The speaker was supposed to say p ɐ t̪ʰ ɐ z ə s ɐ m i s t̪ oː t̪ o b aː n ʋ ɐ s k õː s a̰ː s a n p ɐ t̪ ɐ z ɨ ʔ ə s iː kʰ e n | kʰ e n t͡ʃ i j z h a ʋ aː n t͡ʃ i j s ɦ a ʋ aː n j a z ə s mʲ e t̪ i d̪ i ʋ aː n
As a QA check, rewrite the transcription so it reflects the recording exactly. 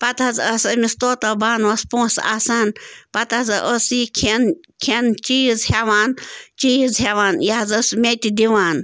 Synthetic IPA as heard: p ɐ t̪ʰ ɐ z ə s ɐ m i s t̪ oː t̪ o b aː n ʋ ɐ s p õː s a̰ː s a n p ɐ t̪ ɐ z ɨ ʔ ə s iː kʰ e n | kʰ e n t͡ʃ i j z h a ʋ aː n t͡ʃ i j z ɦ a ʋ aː n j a z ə s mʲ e t̪ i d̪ i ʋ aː n